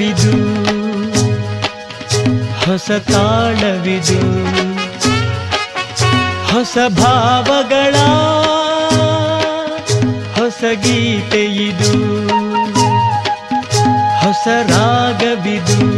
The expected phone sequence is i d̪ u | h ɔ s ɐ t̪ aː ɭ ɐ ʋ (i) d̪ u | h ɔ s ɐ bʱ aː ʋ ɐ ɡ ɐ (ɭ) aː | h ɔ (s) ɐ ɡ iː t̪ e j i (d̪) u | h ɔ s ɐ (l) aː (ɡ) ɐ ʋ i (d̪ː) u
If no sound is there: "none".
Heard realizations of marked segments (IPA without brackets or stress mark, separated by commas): i, ɭ, s, d̪, ɾ, ɡ, d̪